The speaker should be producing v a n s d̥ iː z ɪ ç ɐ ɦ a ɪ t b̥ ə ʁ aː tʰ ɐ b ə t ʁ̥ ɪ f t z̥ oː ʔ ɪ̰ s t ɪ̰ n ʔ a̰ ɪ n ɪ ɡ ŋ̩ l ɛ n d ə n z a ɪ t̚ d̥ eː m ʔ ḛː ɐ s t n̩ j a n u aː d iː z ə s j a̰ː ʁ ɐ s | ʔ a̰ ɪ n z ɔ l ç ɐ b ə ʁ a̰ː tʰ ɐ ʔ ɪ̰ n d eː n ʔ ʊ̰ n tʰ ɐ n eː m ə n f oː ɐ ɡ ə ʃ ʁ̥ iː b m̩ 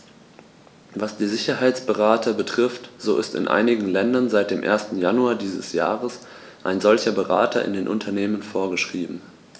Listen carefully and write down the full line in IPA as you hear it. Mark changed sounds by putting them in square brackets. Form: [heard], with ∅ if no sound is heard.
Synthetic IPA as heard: v a [∅] s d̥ iː z ɪ ç ɐ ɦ a ɪ [t͡s] b̥ ə ʁ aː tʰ ɐ b ə t ʁ̥ ɪ f t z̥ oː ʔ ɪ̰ s t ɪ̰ n ʔ a̰ ɪ n ɪ ɡ ŋ̩ l ɛ n d [ɐ] n z a ɪ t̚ d̥ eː m ʔ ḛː ɐ s t n̩ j a n u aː d iː z ə s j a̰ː ʁ [ə] s | ʔ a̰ ɪ n z ɔ l ç ɐ b ə ʁ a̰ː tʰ ɐ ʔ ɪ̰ n d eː n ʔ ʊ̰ n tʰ ɐ n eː m ə n f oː ɐ ɡ ə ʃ ʁ̥ iː b m̩